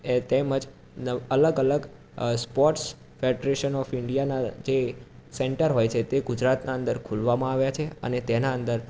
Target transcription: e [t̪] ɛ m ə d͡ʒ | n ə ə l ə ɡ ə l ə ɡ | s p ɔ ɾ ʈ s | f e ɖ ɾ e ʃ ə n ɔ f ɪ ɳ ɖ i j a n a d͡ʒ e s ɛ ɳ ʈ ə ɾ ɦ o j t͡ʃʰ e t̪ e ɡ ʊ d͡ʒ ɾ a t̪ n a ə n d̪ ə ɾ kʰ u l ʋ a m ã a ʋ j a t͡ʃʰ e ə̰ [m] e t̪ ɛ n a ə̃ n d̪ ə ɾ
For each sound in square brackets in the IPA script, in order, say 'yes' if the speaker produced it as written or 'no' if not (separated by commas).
yes, no